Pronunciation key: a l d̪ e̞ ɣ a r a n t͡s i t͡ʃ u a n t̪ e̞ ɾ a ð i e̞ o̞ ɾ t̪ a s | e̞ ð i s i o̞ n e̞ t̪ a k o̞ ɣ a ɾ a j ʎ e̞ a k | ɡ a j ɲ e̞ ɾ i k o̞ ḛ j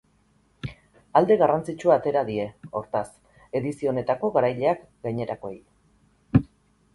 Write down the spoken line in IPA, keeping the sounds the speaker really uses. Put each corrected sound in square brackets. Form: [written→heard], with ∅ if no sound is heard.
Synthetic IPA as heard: a l d̪ e̞ ɣ a r a n t͡s i t͡ʃ u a [n→∅] t̪ e̞ ɾ a ð i e̞ o̞ ɾ t̪ a s | e̞ ð i s i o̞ n e̞ t̪ a k o̞ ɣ a ɾ a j ʎ e̞ a k | ɡ a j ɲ e̞ ɾ [i→a] k o̞ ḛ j